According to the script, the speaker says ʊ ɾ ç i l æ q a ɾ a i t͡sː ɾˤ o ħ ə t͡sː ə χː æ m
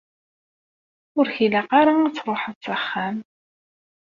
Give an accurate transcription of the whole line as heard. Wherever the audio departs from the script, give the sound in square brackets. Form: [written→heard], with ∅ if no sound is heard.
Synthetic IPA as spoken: ʊ ɾ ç i l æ q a ɾ a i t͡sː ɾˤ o ħ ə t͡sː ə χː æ m